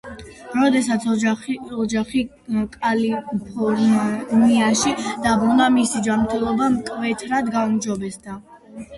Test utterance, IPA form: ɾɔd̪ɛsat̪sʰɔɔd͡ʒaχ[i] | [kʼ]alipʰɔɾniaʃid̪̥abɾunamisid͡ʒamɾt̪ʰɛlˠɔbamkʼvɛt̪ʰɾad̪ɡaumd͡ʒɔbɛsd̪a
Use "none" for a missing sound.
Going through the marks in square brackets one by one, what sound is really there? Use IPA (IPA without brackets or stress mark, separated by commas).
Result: i, kʼ